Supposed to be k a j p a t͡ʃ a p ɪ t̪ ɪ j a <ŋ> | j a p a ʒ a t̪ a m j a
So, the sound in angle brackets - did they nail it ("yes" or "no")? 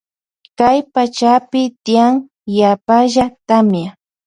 yes